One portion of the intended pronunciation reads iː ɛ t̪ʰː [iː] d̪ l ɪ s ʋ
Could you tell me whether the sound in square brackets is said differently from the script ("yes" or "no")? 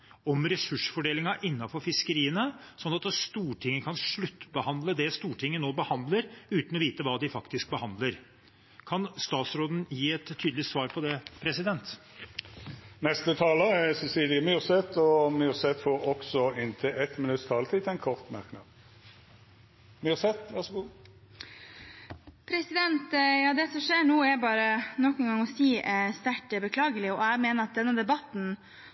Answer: yes